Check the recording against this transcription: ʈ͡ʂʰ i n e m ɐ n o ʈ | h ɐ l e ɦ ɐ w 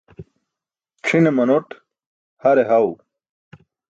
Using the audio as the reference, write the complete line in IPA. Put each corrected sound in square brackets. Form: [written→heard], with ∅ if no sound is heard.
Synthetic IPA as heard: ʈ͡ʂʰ i n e m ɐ n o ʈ | h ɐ [l→ɾ] e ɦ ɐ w